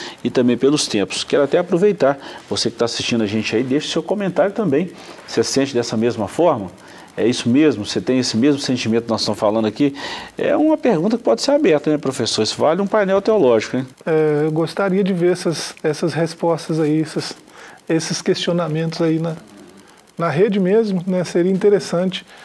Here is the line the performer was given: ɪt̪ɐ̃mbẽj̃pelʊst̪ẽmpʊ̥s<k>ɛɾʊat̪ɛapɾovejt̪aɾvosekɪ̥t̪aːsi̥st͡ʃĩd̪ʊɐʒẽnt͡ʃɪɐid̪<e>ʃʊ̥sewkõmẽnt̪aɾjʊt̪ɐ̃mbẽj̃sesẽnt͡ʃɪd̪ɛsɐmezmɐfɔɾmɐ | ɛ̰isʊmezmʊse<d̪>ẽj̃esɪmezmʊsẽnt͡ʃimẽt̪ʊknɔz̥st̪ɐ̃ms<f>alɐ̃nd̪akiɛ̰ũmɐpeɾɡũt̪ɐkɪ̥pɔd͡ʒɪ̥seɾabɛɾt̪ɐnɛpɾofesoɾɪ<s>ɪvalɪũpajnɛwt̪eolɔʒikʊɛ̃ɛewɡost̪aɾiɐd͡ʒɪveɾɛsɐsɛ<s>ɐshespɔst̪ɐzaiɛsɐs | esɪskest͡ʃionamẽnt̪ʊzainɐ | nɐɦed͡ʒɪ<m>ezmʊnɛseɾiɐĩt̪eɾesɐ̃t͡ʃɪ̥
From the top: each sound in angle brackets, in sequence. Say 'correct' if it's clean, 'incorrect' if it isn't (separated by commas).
correct, correct, incorrect, correct, correct, correct, correct